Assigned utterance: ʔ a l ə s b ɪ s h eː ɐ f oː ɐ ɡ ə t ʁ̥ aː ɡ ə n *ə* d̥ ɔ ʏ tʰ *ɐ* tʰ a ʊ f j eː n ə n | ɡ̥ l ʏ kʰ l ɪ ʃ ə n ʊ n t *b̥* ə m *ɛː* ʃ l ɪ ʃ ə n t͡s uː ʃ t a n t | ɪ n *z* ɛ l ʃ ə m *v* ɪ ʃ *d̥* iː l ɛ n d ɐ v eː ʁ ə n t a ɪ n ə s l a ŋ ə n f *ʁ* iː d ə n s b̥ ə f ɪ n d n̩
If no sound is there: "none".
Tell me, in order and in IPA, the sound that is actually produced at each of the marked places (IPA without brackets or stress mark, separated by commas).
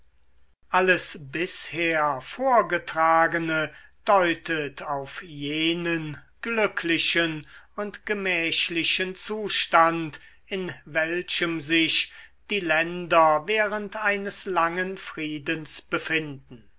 ə, ə, ɡ̥, ɛː, v, z, d̥, ʁ